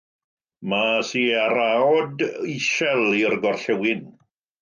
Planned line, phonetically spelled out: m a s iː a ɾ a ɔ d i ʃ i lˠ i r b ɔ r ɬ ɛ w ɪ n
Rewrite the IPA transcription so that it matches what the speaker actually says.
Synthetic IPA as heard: m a s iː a ɾ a ɔ d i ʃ ɛ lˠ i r ɡ ɔ r ɬ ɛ w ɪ n